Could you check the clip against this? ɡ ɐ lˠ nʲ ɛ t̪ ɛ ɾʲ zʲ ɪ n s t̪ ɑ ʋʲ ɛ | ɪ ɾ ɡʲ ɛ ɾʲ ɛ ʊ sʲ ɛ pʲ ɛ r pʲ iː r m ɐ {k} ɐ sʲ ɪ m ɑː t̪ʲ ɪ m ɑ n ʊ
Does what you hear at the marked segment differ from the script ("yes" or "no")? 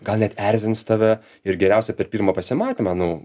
yes